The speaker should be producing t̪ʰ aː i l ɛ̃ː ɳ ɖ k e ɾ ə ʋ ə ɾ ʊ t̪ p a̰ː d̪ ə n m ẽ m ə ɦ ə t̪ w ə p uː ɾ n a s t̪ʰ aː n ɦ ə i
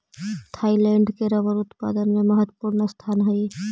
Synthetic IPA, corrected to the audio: t̪ʰ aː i l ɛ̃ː ɳ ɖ k e ɾ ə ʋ ə ɾ ʊ t̪ p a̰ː d̪ ə n m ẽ m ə ɦ ə t̪ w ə p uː ɾ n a s t̪ʰ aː n ɦ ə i